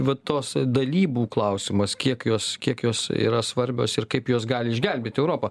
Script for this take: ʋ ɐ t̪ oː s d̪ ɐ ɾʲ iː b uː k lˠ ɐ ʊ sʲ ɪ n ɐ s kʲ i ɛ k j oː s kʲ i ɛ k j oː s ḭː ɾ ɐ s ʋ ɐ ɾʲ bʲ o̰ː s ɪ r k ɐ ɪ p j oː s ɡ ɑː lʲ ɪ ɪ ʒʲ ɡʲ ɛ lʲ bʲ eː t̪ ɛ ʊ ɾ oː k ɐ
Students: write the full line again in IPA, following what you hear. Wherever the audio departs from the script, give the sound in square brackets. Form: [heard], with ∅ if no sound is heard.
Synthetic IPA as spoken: ʋ ɐ t̪ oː s d̪ ɐ [lʲ] iː b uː k lˠ ɐ ʊ sʲ ɪ [m] ɐ s kʲ i ɛ k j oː s kʲ i ɛ k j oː s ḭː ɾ ɐ s ʋ ɐ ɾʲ bʲ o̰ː s ɪ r k ɐ ɪ p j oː s ɡ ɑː lʲ ɪ ɪ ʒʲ ɡʲ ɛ lʲ bʲ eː t̪ ɛ ʊ ɾ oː [p] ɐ